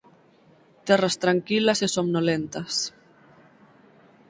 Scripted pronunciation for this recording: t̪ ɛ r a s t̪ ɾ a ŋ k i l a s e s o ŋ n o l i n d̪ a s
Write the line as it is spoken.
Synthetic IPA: t̪ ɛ r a s t̪ ɾ a ŋ k i l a s e s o m n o l e n t̪ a s

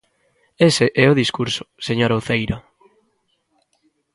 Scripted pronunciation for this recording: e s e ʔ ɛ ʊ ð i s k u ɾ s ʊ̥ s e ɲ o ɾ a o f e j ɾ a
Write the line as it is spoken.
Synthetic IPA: e s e ʔ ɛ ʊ ð i s k u ɾ s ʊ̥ s e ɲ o ɾ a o θ e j ɾ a

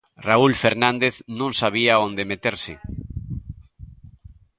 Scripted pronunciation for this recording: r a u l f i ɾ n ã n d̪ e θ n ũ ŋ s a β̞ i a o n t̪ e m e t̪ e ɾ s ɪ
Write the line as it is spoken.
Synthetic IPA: r a u l f e ɾ n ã n d̪ e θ n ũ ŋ s a β̞ i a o n d̪ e m e t̪ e ɾ s ɪ

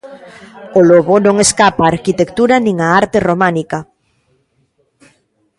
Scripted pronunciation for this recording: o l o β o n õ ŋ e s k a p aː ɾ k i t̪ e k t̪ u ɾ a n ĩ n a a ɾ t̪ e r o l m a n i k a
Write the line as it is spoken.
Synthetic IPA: o l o β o n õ ŋ e s k a p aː ɾ k i t̪ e k t̪ u ɾ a n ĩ ŋ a a ɾ t̪ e r o m a n i k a

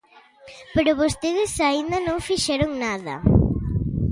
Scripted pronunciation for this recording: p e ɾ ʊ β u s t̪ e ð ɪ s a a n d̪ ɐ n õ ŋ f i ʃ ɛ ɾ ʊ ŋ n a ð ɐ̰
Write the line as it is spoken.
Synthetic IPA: p e ɾ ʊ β o s t̪ e ð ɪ s a i n d̪ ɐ n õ ŋ f i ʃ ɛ ɾ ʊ ŋ n a ð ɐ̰

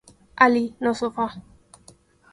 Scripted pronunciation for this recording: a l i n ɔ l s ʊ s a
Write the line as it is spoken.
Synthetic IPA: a l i n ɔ s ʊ f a

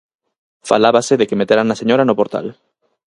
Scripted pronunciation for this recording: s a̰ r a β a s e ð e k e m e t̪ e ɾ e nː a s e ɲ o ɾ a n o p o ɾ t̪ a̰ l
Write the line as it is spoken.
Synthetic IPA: f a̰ l a β a s e ð e k e m e t̪ e ɾ a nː a s e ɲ o ɾ a n o p o ɾ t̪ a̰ l

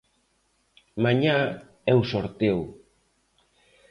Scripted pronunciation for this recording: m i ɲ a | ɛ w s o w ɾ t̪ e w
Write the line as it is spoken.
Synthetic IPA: m a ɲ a | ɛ w s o ɾ t̪ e w

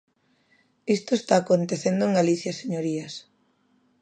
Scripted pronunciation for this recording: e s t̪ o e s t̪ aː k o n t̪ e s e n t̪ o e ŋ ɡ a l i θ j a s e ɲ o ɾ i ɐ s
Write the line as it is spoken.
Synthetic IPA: i s t̪ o e s t̪ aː k o n t̪ e θ e n d̪ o e ŋ ɡ a l i θ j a s e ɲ o ɾ i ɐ s

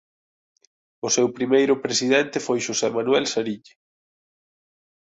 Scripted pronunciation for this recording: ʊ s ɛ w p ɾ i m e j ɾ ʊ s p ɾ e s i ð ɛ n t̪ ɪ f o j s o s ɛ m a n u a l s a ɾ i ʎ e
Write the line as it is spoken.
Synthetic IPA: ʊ s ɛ w p ɾ i m e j ɾ ʊ p ɾ e s i ð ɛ n t̪ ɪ f o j ʃ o s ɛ m a n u ɛ l s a ɾ i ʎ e

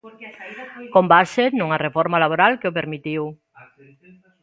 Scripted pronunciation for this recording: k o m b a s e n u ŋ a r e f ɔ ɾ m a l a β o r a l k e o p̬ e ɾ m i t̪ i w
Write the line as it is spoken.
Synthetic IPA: k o m b a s e n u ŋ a r e f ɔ ɾ m a l a β o ɾ a l k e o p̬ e ɾ m i t̪ i w

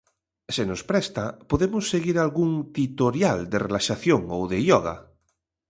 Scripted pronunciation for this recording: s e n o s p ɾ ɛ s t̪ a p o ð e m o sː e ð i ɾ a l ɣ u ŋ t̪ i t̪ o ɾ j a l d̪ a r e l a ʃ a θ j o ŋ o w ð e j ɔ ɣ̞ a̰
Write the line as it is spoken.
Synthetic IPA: s e n o s p ɾ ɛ s t̪ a p o ð e m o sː e ɣ i ɾ a l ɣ u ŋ t̪ i t̪ o ɾ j a l d̪ e r e l a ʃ a θ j o ŋ o w ð e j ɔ ɣ̞ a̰

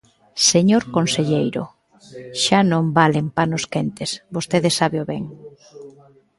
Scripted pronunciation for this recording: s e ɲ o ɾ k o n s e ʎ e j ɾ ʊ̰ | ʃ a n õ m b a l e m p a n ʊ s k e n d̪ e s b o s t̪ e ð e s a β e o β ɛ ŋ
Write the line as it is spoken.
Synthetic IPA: s e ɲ o ɾ k o n s e ʎ e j ɾ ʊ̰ | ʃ a n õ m b a l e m p a n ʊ s k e n t̪ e s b o s t̪ e ð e s a β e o β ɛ ŋ

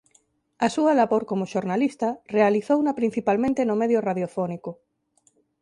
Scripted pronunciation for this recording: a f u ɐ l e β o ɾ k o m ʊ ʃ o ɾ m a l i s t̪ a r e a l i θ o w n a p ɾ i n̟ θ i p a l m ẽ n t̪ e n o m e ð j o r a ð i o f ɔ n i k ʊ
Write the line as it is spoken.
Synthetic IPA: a s u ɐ l a β o ɾ k o m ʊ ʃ o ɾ n a l i s t̪ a r e a l i θ o w n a p ɾ i n̟ θ i p a l m ẽ n t̪ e n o m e ð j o r a ð j o f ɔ n i k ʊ

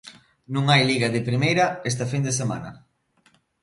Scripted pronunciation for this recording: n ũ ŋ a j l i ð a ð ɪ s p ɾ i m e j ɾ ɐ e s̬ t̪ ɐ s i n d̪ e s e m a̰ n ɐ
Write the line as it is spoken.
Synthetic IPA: n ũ ŋ a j l i ɣ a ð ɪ p ɾ i m e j ɾ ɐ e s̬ t̪ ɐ f i n d̪ e s e m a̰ n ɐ

